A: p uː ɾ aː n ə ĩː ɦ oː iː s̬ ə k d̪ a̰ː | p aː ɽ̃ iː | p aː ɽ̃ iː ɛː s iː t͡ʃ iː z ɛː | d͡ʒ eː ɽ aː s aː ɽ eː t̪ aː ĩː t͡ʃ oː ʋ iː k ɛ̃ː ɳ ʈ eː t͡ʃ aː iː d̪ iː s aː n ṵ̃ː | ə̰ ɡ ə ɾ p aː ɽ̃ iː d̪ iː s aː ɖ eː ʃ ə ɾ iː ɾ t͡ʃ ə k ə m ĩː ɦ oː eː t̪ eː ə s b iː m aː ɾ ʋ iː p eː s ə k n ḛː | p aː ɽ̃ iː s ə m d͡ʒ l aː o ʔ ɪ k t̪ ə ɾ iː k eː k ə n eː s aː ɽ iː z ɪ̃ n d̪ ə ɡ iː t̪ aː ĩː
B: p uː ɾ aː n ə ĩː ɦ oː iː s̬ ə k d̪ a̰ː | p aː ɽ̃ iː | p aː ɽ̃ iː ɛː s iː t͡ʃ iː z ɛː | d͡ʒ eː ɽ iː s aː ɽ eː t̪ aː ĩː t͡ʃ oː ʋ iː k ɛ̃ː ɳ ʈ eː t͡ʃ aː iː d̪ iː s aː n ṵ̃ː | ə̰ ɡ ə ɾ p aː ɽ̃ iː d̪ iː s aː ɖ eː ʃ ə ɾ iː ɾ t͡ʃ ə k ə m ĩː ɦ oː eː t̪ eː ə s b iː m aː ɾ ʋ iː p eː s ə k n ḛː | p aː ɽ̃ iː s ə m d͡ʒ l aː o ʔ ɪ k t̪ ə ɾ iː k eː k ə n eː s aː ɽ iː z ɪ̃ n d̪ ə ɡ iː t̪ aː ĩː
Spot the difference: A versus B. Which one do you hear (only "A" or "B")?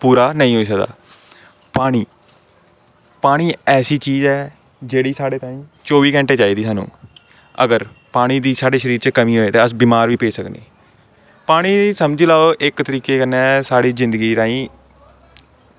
B